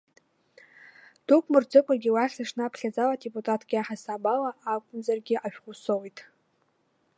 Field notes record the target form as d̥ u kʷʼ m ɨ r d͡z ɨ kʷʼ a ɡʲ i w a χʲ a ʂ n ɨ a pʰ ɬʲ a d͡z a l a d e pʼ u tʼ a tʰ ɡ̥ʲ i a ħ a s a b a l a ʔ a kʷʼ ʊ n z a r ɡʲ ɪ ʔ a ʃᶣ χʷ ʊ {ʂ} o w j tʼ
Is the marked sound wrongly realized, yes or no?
yes